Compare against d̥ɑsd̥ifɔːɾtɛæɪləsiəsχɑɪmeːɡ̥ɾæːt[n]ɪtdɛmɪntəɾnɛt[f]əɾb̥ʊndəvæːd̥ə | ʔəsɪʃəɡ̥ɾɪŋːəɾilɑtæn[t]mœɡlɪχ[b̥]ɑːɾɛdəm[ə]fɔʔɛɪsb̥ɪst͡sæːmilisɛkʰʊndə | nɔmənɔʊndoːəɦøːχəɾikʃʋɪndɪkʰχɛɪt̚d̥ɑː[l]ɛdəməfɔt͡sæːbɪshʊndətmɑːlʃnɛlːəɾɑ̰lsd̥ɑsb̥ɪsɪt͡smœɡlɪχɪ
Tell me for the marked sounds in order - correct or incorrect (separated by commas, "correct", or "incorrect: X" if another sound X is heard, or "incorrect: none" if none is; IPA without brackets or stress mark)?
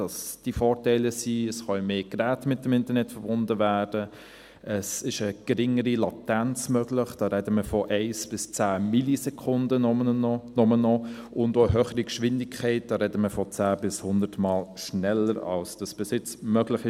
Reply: incorrect: m, correct, incorrect: t͡s, incorrect: d̥, correct, incorrect: ɾ